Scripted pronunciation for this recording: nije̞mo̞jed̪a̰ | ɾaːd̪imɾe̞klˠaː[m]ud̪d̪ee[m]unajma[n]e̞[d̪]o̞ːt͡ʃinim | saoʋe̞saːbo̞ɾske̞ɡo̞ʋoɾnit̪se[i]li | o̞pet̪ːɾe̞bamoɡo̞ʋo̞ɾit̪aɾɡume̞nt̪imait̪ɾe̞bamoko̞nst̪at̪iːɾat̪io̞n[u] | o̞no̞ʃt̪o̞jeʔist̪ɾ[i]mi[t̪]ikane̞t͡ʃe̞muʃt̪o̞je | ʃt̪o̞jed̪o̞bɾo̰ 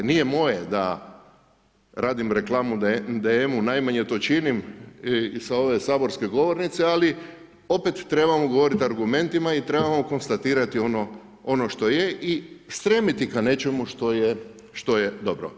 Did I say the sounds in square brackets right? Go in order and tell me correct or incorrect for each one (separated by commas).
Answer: correct, correct, incorrect, incorrect, incorrect, incorrect, incorrect, correct